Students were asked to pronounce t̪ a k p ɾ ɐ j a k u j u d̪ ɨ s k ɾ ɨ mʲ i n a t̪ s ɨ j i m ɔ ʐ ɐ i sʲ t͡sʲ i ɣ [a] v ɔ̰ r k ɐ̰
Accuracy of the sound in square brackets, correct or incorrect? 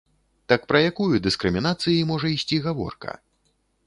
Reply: correct